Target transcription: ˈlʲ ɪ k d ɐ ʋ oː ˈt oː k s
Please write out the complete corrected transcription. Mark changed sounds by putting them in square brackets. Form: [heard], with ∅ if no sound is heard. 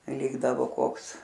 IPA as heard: ˈlʲ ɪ [ɡ] d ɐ ʋ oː [ˈk] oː k s